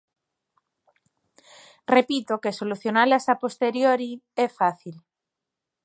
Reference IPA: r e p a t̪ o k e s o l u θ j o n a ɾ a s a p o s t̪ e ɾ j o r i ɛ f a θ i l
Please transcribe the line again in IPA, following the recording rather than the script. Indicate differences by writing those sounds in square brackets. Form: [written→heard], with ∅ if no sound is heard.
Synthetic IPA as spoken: r e p [a→i] t̪ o k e s o l u θ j o n a [ɾ→l] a s a p o s t̪ e ɾ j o [r→ɾ] i ɛ f a θ i l